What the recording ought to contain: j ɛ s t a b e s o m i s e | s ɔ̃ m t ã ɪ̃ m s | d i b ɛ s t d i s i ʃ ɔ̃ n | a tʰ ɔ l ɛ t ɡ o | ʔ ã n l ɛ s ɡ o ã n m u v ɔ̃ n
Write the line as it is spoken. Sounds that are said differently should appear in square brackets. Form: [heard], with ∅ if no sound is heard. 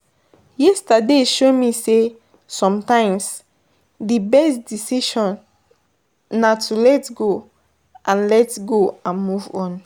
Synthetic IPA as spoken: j ɛ s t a [d] e [ʃ] o m i s e | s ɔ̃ m t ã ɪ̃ m s | d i b ɛ s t d i s i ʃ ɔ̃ n | a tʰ [u] l ɛ t ɡ o | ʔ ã n l ɛ [t] ɡ o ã n m u v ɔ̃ n

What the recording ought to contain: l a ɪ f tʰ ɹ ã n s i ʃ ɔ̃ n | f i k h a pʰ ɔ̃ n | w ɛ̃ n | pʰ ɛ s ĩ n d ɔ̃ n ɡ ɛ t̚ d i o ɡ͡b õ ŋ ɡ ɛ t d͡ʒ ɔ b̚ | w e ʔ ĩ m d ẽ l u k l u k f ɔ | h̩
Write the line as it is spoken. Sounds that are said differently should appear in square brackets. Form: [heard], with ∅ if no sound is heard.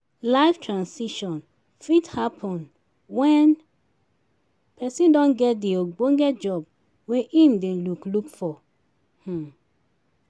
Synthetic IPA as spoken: l a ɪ f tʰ ɹ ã n s i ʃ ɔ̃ n | f i [t] h a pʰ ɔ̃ n | w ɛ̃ n | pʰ ɛ s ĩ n d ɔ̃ n ɡ ɛ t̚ d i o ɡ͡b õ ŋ ɡ ɛ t d͡ʒ ɔ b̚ | w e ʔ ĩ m d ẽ l u k l u k f ɔ | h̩

